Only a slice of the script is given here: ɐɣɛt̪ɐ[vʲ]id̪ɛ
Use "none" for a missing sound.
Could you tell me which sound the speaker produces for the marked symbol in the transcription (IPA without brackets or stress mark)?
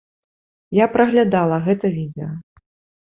vʲ